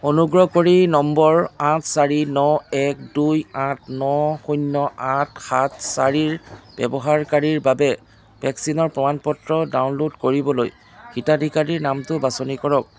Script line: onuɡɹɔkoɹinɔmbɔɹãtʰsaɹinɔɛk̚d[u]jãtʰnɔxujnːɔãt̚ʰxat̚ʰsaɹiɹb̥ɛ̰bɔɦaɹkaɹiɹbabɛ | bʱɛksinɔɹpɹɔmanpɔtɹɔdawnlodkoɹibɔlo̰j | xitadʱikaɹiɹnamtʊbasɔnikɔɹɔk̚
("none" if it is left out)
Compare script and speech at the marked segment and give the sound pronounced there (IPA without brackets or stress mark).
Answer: u